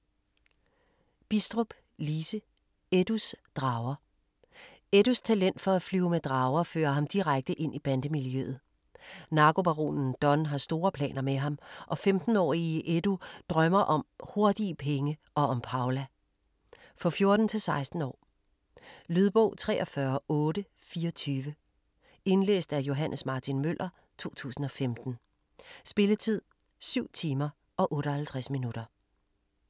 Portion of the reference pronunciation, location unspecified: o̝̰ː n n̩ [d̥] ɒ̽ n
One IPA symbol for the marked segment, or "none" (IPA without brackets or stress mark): d̥